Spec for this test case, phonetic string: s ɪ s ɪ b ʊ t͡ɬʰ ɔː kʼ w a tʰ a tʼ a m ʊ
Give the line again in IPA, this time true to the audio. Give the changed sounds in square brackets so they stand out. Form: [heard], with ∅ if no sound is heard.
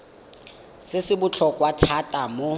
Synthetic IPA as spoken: s ɪ s ɪ b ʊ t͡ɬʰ [ɔ] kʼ w a tʰ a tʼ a m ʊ